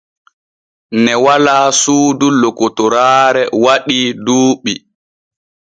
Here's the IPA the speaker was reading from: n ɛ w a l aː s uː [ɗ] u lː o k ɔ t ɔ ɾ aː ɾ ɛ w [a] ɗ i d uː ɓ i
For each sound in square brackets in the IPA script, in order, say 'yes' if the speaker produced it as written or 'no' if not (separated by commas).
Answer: no, yes